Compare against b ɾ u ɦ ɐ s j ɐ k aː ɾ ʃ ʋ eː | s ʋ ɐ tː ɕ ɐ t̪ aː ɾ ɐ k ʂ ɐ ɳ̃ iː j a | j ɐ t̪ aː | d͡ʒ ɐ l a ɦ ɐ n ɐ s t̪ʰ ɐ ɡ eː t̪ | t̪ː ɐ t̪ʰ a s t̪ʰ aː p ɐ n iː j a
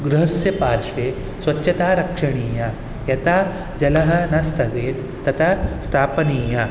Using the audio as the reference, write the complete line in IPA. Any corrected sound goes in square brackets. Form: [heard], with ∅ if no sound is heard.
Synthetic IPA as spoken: [ɡ] ɾ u ɦ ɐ s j ɐ [p] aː ɾ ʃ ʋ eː | s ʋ ɐ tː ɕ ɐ t̪ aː ɾ ɐ k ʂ ɐ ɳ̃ iː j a | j ɐ t̪ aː | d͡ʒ ɐ l [ɐ] ɦ ɐ n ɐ s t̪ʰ ɐ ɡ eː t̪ | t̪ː ɐ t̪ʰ a s t̪ʰ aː p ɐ n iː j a